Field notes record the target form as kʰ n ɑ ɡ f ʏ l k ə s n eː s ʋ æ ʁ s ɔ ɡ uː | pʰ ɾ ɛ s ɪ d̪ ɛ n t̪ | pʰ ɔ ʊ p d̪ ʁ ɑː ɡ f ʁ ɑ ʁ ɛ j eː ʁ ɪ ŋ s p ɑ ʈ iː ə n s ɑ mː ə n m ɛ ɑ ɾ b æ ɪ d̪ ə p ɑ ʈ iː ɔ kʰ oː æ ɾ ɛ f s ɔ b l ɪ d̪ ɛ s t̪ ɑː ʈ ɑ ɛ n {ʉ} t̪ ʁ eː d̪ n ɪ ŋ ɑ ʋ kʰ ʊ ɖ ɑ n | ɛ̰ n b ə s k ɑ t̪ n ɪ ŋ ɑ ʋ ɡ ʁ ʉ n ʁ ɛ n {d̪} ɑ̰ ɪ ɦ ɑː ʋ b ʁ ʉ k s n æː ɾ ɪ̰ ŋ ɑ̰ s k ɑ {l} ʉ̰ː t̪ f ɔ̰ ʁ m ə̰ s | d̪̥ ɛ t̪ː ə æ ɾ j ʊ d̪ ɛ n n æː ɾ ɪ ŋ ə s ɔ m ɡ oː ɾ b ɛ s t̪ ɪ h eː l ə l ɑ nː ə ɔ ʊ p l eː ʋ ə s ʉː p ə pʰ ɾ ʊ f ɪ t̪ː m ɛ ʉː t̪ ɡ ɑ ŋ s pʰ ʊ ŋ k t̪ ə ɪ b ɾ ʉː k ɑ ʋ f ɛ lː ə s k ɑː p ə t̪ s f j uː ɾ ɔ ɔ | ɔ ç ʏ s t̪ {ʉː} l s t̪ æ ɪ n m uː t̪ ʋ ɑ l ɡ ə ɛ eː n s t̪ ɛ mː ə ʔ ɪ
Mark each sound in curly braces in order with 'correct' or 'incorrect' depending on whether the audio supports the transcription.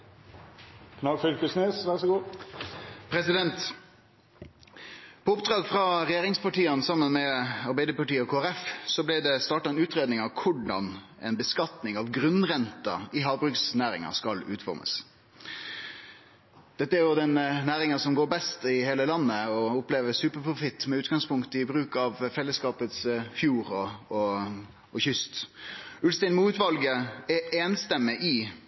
incorrect, incorrect, correct, incorrect

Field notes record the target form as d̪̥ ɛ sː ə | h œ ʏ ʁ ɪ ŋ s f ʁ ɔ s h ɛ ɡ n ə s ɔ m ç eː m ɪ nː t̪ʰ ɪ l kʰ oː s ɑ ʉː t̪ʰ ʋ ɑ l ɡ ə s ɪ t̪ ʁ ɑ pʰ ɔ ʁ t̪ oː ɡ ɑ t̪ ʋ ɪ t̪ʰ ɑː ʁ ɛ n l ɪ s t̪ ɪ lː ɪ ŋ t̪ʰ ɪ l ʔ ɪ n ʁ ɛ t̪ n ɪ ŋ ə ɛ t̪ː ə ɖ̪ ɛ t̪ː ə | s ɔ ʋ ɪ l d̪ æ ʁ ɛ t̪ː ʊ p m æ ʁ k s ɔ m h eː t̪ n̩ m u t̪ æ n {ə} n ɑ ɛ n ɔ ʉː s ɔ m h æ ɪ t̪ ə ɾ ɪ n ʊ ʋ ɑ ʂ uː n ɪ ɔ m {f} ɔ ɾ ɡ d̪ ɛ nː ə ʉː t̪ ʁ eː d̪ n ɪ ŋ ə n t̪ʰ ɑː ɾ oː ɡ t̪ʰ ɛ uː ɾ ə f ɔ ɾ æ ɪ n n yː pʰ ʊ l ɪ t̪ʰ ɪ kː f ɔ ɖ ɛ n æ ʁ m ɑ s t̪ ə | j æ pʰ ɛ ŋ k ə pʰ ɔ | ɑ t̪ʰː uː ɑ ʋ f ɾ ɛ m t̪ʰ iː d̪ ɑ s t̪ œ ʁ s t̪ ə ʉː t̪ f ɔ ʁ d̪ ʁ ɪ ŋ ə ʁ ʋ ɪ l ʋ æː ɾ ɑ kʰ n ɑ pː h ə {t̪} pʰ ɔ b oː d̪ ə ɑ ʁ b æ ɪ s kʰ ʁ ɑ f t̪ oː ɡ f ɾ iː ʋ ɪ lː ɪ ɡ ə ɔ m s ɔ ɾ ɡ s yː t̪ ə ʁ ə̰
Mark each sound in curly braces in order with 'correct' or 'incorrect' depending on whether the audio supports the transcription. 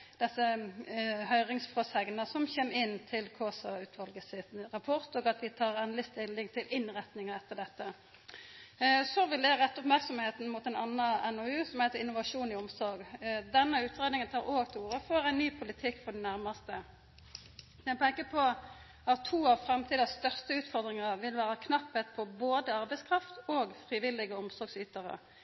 incorrect, incorrect, correct

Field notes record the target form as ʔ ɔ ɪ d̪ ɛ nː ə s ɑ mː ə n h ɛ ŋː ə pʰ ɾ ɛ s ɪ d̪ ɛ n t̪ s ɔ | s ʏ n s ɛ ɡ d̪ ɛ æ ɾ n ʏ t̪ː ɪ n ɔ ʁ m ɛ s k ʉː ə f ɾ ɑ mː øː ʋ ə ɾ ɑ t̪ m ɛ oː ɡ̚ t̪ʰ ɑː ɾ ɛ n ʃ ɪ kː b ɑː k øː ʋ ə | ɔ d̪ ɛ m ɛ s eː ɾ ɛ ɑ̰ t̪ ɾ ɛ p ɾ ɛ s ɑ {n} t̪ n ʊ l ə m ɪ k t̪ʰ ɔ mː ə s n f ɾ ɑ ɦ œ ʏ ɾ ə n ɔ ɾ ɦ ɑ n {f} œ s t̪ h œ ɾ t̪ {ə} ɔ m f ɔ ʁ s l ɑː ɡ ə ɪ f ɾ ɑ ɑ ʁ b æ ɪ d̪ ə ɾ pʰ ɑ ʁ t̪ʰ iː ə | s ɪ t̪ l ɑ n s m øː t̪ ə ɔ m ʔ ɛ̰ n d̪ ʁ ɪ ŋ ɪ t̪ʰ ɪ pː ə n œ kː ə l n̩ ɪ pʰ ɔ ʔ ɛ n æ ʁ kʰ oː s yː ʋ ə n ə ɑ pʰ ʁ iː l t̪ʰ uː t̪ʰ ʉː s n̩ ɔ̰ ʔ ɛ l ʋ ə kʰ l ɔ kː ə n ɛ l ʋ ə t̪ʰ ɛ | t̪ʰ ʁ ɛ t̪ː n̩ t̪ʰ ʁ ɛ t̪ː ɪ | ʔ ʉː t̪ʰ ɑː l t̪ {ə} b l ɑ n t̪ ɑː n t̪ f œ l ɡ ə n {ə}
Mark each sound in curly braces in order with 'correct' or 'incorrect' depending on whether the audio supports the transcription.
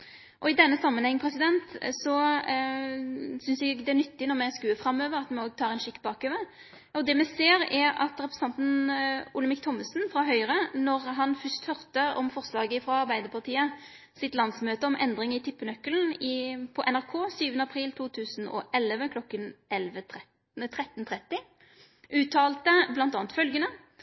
correct, correct, correct, correct, correct

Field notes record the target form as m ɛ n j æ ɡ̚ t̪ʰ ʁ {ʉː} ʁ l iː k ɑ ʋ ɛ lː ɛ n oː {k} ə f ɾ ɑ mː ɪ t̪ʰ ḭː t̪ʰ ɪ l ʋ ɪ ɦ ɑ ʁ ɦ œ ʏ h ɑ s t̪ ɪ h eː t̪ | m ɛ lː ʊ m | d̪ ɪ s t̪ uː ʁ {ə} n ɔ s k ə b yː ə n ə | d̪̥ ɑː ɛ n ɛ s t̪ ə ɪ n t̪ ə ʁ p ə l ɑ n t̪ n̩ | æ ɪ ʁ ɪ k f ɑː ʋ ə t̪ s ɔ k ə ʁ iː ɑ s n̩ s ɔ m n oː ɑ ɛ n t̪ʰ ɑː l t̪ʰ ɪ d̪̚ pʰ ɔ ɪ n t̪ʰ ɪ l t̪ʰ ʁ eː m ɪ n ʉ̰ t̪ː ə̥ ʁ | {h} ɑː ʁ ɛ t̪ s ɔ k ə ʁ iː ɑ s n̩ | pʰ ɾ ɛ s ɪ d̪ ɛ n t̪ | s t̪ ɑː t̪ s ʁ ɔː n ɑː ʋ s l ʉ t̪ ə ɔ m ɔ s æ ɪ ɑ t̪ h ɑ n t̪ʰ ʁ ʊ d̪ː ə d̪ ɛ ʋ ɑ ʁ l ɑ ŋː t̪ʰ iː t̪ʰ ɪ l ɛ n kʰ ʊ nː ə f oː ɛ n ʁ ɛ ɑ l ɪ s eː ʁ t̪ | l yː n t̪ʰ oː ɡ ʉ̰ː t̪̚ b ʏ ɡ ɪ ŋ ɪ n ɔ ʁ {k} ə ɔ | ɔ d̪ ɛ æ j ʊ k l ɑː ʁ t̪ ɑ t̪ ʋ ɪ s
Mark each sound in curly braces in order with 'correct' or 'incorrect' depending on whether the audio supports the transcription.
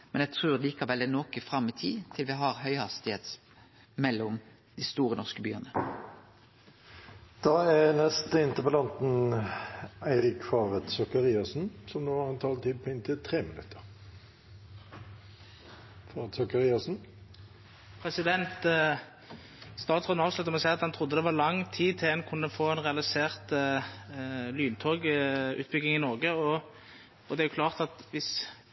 correct, correct, correct, incorrect, incorrect

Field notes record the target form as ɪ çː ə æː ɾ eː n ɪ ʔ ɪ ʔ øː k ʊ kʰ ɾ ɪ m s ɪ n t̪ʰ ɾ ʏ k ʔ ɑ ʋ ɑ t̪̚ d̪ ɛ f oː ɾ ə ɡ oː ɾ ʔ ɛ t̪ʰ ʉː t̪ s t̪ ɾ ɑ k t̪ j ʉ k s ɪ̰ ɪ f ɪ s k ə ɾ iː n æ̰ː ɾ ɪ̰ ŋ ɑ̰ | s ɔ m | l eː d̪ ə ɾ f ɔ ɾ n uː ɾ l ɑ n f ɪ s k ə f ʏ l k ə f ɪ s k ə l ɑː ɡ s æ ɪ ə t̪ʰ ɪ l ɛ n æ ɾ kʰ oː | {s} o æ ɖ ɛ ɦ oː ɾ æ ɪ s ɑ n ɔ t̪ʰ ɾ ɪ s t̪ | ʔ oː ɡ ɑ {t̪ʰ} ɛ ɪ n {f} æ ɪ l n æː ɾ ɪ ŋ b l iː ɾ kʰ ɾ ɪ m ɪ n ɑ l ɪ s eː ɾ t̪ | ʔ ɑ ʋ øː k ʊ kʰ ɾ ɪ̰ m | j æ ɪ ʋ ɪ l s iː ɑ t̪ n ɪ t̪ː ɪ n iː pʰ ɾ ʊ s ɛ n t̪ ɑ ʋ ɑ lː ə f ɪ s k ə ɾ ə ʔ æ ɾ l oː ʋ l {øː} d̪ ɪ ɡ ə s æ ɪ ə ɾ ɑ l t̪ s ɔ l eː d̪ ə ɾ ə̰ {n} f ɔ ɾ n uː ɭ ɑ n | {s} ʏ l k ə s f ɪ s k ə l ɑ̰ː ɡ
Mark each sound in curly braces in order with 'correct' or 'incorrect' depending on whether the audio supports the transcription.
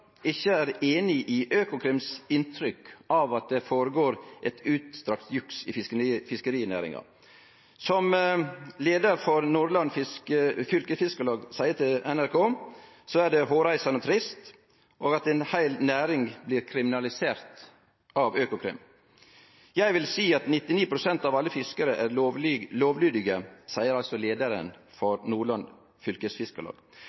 correct, incorrect, incorrect, incorrect, correct, incorrect

